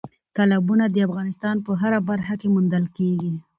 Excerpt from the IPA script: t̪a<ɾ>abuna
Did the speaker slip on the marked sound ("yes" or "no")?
yes